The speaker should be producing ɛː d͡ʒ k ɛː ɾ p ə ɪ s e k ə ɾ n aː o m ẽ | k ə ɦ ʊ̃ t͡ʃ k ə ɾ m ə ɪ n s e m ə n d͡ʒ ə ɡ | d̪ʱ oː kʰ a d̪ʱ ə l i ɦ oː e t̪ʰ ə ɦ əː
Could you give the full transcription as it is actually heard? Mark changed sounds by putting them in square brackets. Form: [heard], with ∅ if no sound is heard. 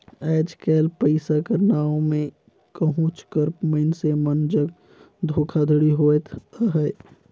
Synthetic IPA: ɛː d͡ʒ k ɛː [l] p ə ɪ s [a] k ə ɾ n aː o m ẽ | k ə ɦ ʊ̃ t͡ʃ k ə ɾ m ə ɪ n s e m ə n d͡ʒ ə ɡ | d̪ʱ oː kʰ a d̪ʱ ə [ɽ] i ɦ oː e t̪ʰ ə ɦ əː